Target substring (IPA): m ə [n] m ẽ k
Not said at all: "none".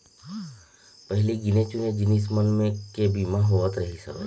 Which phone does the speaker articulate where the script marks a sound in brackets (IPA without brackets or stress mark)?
n